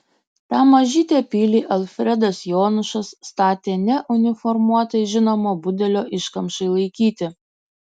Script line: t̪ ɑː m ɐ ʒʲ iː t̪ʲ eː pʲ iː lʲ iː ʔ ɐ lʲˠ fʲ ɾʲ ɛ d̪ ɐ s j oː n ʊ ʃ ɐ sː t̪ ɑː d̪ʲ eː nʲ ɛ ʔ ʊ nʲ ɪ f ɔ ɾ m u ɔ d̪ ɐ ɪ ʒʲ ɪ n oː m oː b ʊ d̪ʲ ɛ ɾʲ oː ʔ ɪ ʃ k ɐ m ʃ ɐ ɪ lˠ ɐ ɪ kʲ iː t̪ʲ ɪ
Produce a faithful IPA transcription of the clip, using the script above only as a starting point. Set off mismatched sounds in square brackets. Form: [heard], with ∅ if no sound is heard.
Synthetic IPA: t̪ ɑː m ɐ ʒʲ iː t̪ʲ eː pʲ iː lʲ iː ʔ ɐ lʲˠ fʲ ɾʲ ɛ d̪ ɐ s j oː n ʊ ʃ ɐ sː t̪ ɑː [t̪ʲ] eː nʲ ɛ ʔ ʊ nʲ ɪ f ɔ ɾ m u ɔ [t̪] ɐ ɪ ʒʲ ɪ n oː m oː b ʊ d̪ʲ ɛ [lʲ] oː ʔ ɪ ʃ k ɐ m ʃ ɐ ɪ lˠ ɐ ɪ kʲ iː t̪ʲ ɪ

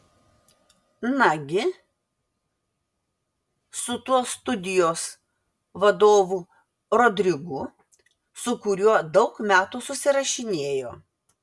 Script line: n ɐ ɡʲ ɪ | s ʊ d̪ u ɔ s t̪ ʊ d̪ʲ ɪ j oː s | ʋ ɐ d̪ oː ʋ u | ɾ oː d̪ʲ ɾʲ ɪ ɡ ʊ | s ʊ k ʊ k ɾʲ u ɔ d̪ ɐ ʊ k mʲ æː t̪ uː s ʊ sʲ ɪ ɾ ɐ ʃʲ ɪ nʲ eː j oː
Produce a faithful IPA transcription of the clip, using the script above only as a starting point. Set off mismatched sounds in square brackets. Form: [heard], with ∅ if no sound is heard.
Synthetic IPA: n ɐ ɡʲ ɪ | s ʊ [t̪] u ɔ s t̪ ʊ d̪ʲ ɪ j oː s | ʋ ɐ d̪ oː ʋ u | ɾ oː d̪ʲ ɾʲ ɪ ɡ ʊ | s ʊ k ʊ [∅] ɾʲ u ɔ d̪ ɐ ʊ k mʲ æː t̪ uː s ʊ sʲ ɪ ɾ ɐ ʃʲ ɪ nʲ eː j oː

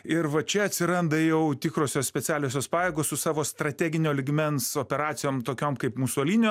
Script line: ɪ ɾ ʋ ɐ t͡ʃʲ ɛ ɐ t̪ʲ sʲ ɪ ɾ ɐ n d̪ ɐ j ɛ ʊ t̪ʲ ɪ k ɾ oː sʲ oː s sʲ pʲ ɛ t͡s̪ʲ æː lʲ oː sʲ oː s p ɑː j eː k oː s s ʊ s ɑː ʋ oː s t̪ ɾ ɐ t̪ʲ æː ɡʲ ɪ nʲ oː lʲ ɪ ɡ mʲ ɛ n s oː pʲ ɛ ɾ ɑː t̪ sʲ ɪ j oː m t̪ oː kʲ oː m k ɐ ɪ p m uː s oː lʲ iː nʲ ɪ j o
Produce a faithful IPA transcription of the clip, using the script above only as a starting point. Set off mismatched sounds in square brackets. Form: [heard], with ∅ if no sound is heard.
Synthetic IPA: ɪ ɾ ʋ ɐ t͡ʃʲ ɛ ɐ t̪ʲ sʲ ɪ ɾ ɐ n d̪ ɐ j ɛ ʊ t̪ʲ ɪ k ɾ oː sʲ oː s sʲ pʲ ɛ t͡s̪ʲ æː lʲ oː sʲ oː s p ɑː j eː [ɡ] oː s s ʊ s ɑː ʋ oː s t̪ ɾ ɐ t̪ʲ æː ɡʲ ɪ nʲ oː lʲ ɪ ɡ mʲ ɛ n s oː pʲ ɛ ɾ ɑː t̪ sʲ ɪ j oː m t̪ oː kʲ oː m k ɐ ɪ p m uː s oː lʲ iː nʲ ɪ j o

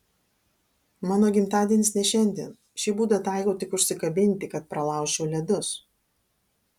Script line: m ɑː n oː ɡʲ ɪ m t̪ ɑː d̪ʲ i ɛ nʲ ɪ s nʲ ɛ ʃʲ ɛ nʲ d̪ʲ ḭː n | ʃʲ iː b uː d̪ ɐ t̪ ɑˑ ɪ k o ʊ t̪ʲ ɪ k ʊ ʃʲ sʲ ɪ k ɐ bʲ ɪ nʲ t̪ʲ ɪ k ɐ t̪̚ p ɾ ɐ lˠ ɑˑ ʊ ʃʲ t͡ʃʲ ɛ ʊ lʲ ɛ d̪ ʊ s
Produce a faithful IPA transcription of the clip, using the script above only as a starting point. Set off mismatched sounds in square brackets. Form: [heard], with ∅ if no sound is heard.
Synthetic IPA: m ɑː n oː ɡʲ ɪ m t̪ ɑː d̪ʲ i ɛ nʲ ɪ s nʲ ɛ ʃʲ ɛ nʲ d̪ʲ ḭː n | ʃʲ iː b uː d̪ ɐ t̪ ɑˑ ɪ k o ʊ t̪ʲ ɪ k ʊ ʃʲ sʲ ɪ k ɐ bʲ ɪ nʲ t̪ʲ ɪ k ɐ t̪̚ p ɾ ɐ lˠ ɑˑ ʊ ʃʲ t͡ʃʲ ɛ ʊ lʲ ɛ d̪ ʊ s

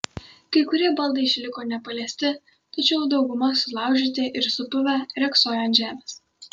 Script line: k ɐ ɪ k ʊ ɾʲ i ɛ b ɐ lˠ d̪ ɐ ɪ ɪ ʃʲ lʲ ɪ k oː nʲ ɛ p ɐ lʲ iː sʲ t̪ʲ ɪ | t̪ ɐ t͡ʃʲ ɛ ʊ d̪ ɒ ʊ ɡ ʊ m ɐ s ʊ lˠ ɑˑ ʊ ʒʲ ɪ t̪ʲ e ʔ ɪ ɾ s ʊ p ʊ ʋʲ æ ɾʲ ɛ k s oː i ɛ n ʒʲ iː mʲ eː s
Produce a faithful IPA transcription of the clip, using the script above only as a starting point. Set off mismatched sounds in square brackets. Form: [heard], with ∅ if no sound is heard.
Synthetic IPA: k ɐ ɪ k ʊ ɾʲ i ɛ b ɐ lˠ d̪ ɐ ɪ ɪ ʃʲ lʲ ɪ k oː nʲ ɛ p ɐ lʲ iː sʲ t̪ʲ ɪ | t̪ ɐ t͡ʃʲ ɛ ʊ d̪ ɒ ʊ ɡ ʊ m ɐ s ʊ lˠ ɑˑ ʊ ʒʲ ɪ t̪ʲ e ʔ ɪ ɾ s ʊ p ʊ ʋʲ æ ɾʲ ɛ k s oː [j] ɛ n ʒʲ [æː] mʲ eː s

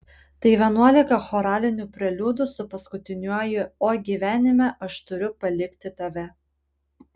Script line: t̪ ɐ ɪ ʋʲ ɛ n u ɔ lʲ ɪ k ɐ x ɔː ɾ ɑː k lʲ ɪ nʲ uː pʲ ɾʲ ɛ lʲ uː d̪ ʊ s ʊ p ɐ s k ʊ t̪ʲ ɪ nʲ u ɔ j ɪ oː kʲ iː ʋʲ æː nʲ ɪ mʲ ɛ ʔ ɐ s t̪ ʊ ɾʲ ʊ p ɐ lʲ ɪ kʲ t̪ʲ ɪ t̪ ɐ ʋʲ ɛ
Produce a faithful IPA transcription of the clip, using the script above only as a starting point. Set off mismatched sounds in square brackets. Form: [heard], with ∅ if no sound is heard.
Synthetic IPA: t̪ ɐ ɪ ʋʲ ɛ n u ɔ lʲ ɪ k ɐ x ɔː ɾ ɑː [∅] lʲ ɪ nʲ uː pʲ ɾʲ ɛ lʲ uː d̪ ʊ s ʊ p ɐ s k ʊ t̪ʲ ɪ nʲ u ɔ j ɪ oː [ɡʲ] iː ʋʲ æː nʲ ɪ mʲ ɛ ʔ ɐ [ʃ] t̪ ʊ ɾʲ ʊ p ɐ lʲ ɪ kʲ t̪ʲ ɪ t̪ ɐ ʋʲ ɛ

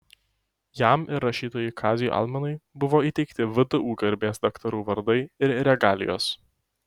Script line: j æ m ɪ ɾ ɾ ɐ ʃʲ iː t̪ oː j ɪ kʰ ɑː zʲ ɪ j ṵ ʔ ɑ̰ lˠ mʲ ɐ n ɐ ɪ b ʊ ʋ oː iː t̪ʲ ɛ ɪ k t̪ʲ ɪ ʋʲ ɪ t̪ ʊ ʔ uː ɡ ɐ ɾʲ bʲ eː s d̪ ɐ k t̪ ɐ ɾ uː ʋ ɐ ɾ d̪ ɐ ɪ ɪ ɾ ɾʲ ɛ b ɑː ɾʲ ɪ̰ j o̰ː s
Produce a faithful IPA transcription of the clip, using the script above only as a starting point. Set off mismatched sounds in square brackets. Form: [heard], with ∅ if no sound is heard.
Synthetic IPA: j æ m ɪ ɾ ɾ ɐ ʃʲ iː t̪ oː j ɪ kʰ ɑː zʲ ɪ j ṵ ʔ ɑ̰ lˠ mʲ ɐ n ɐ ɪ b ʊ ʋ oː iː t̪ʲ ɛ ɪ k t̪ʲ ɪ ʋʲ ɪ [d̪] ʊ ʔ uː ɡ ɐ ɾʲ bʲ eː s d̪ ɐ k t̪ ɐ ɾ uː ʋ ɐ ɾ d̪ ɐ ɪ ɪ ɾ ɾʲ ɛ [ɡ] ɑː [lʲ] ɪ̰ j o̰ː s

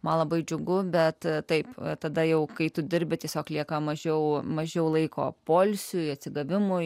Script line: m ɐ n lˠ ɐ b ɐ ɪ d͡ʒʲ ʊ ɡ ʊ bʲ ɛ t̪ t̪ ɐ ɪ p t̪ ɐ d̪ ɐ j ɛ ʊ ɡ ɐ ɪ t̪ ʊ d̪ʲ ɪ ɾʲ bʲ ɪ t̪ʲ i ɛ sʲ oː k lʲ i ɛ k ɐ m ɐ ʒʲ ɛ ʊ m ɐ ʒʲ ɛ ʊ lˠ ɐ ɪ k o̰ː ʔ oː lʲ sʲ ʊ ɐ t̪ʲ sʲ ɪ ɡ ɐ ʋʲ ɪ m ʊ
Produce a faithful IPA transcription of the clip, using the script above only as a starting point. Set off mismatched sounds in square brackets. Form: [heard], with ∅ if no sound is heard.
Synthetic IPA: m ɐ n lˠ ɐ b ɐ ɪ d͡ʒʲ ʊ ɡ ʊ bʲ ɛ t̪ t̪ ɐ ɪ p t̪ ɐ d̪ ɐ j ɛ ʊ [k] ɐ ɪ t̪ ʊ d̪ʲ ɪ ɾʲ bʲ ɪ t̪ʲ i ɛ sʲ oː k lʲ i ɛ k ɐ m ɐ ʒʲ ɛ ʊ m ɐ ʒʲ ɛ ʊ lˠ ɐ ɪ k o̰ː [p] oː lʲ sʲ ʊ ɐ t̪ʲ sʲ ɪ ɡ ɐ ʋʲ ɪ m ʊ

